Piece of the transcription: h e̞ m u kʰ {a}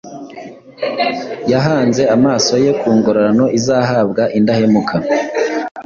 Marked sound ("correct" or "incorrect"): correct